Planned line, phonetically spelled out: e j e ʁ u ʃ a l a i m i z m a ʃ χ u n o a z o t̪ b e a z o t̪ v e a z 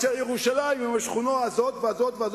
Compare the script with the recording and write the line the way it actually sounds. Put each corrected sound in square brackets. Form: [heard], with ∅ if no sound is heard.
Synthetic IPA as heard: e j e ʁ u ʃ a l a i m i [∅] m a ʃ χ u n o a z o t̪ [v] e a z o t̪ v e a z